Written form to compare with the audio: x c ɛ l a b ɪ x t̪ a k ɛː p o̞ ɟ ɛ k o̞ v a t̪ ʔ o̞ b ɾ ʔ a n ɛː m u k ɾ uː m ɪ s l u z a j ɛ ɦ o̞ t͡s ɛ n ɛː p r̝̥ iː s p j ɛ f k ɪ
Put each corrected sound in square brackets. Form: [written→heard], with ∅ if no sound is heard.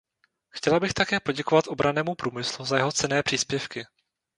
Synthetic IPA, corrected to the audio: x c ɛ l a b ɪ x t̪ a k ɛː p o̞ ɟ ɛ k o̞ v a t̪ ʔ o̞ b ɾ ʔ a n ɛː m u [k→p] ɾ uː m ɪ s l u z a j ɛ ɦ o̞ t͡s ɛ n ɛː p r̝̥ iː s p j ɛ f k ɪ